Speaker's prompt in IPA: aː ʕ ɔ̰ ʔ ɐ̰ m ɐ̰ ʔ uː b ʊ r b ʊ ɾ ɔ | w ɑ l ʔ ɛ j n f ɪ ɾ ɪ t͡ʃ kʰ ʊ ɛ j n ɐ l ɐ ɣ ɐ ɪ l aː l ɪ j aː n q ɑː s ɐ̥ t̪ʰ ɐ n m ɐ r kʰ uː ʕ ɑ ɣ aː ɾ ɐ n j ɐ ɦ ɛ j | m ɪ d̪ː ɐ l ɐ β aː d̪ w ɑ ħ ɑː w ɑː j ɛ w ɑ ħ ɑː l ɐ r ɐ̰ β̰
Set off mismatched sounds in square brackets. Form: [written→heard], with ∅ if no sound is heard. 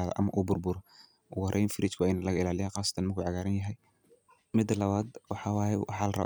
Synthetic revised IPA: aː [ʕ→ð] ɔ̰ ʔ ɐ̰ m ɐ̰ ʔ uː b ʊ r b ʊ ɾ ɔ | w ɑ [l→r] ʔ ɛ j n f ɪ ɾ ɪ t͡ʃ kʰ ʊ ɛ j n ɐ l ɐ ɣ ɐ ɪ l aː l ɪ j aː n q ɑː s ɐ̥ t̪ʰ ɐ n m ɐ r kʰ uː ʕ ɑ ɣ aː ɾ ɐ n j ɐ ɦ ɛ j | m ɪ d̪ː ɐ l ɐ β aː d̪ w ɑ ħ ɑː w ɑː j ɛ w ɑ ħ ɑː l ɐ r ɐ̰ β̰